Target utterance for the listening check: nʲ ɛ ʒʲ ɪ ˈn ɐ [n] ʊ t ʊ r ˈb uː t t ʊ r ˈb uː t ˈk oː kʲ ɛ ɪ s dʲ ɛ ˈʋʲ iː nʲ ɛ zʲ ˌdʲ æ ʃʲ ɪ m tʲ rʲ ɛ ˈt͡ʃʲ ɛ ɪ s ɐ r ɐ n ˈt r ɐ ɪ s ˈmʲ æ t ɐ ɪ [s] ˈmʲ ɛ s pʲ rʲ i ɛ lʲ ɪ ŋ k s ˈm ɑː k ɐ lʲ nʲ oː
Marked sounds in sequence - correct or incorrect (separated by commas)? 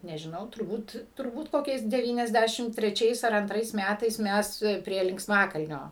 incorrect, correct